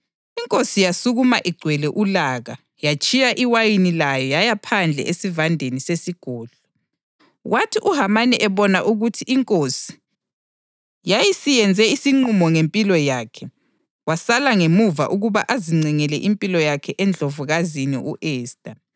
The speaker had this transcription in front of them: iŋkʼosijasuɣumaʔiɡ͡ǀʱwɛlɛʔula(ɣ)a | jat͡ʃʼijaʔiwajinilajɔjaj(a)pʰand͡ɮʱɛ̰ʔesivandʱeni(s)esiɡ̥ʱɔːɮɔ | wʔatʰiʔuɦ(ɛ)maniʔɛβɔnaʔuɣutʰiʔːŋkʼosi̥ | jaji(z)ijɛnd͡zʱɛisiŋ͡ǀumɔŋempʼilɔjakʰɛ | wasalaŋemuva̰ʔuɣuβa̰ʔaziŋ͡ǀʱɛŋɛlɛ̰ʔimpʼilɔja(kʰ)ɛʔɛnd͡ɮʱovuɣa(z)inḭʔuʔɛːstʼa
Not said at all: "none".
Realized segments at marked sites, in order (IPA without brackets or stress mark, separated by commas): ɣ, a, s, a, s, kʰ, z